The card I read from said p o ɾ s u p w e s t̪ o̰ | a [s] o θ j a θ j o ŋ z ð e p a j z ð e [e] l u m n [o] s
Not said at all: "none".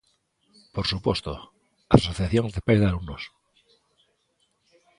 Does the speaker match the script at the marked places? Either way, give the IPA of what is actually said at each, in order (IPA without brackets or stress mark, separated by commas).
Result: s, a, o